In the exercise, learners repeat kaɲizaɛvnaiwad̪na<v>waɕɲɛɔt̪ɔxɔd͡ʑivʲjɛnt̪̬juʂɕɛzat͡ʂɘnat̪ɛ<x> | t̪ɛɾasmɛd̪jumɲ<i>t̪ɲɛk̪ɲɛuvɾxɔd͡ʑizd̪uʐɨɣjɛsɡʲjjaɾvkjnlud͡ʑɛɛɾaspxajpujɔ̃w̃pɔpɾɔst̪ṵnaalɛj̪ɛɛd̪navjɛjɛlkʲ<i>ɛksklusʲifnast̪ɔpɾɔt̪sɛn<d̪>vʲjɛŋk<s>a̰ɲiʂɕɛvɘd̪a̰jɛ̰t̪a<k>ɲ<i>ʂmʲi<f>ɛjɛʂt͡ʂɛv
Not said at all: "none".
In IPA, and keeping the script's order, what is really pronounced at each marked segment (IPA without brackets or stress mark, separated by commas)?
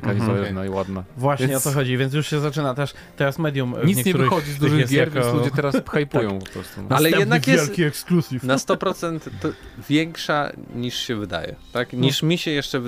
v, ʂ, i, i, t̪, ʂ, k, i, ɕ